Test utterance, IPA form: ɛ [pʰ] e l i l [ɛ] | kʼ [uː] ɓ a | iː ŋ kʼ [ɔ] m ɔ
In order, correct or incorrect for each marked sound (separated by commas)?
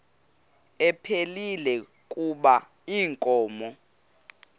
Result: correct, correct, incorrect, incorrect